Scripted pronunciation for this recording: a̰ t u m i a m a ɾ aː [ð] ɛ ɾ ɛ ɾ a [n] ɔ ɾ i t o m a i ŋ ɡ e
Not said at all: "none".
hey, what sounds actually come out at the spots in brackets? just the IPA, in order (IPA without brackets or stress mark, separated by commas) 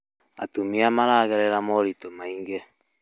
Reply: ɣ, m